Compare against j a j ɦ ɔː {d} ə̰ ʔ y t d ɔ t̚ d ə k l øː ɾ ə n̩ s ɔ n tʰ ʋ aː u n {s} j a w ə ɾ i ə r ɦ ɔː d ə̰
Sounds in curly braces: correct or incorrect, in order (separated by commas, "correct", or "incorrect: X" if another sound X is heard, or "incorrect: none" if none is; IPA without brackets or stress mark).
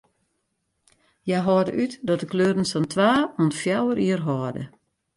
correct, incorrect: f